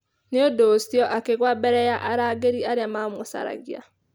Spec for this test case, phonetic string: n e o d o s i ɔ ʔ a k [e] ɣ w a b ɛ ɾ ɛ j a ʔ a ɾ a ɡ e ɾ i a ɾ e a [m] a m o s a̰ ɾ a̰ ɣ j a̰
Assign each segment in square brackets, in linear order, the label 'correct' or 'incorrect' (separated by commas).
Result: correct, correct